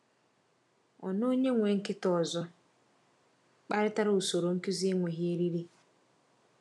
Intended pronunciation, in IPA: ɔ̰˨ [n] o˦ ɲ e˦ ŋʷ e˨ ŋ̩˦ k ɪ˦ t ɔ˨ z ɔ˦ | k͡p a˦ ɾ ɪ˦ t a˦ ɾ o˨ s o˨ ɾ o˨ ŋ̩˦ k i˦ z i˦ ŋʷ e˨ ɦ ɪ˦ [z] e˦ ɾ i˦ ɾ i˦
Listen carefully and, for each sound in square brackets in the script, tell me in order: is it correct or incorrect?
correct, incorrect

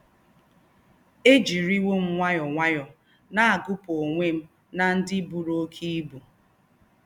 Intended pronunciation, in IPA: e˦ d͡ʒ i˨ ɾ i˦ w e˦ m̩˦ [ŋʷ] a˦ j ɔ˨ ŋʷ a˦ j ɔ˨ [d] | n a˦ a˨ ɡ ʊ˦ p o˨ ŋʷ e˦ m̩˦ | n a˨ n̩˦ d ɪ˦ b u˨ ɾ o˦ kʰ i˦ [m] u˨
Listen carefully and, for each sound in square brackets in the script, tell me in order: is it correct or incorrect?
correct, incorrect, incorrect

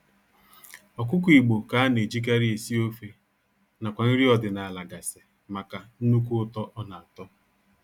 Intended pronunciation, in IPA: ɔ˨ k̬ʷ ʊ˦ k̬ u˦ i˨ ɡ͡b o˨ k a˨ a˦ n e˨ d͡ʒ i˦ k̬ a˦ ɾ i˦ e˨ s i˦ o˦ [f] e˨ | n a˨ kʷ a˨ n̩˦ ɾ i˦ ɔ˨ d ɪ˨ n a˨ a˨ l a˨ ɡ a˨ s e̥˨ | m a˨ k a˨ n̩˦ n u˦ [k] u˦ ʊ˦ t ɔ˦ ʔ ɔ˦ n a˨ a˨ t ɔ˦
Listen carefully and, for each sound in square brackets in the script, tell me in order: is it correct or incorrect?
correct, correct

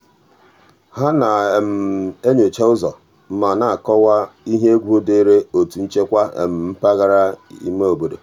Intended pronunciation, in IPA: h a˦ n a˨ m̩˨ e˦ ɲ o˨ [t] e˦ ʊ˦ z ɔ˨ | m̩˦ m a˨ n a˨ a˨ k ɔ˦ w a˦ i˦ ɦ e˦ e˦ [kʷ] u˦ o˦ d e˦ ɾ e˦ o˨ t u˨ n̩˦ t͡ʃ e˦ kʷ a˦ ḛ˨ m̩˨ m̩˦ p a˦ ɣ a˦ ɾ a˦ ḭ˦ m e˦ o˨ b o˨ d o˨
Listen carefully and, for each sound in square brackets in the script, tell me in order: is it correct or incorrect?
incorrect, incorrect

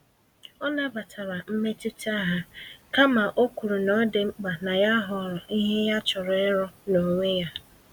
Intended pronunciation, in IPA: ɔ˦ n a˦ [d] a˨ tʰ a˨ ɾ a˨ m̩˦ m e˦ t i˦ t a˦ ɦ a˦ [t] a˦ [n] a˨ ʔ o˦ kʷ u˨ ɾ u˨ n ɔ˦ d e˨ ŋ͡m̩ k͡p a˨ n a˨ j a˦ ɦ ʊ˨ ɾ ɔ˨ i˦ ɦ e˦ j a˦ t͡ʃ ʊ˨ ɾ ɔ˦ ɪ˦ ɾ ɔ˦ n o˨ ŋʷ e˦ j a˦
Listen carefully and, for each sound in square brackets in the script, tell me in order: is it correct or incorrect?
incorrect, incorrect, incorrect

